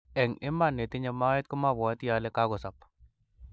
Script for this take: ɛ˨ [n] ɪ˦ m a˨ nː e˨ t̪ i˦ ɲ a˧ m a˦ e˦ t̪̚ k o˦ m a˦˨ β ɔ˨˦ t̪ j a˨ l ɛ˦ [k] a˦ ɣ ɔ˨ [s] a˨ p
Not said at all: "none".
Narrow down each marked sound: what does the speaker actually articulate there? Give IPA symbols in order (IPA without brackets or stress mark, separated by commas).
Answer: ŋ, k, s